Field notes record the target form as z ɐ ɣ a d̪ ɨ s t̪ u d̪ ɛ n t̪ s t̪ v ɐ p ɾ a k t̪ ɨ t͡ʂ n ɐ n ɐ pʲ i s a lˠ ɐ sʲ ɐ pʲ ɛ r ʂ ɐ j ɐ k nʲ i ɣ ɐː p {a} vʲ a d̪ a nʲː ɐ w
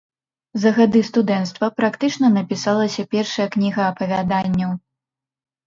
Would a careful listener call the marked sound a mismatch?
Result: yes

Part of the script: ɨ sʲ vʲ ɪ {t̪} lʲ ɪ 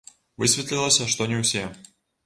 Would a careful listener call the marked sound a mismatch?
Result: no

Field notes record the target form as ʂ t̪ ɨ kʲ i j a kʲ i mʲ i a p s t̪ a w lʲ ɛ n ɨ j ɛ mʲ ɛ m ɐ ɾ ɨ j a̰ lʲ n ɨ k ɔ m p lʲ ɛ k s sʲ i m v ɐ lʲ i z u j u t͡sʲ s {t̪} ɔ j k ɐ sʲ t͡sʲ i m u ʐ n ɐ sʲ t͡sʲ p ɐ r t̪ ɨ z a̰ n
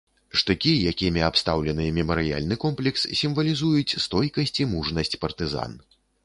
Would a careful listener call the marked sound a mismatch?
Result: no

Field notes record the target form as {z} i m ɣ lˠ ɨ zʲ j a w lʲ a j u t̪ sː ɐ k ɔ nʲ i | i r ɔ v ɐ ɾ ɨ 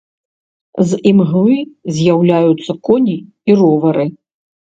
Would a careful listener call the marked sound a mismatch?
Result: no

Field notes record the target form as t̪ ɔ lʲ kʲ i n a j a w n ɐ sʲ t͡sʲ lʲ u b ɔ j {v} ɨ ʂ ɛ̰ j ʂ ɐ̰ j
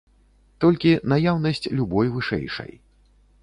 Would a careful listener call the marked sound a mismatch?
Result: no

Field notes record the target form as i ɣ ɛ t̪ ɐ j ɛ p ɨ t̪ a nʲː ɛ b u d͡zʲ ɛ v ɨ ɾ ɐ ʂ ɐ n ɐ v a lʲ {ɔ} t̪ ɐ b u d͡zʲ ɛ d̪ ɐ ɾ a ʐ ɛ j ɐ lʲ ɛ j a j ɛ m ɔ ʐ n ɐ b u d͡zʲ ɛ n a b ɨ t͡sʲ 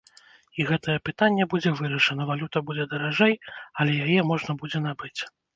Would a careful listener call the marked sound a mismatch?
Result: yes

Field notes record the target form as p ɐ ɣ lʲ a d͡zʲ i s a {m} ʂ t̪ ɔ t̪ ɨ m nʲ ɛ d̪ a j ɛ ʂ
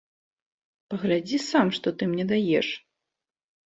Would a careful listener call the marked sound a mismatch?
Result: no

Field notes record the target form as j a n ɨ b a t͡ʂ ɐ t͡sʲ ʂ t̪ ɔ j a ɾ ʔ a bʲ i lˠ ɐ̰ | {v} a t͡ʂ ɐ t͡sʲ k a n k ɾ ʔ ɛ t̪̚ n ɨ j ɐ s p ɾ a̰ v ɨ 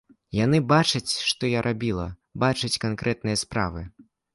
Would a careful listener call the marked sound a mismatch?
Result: yes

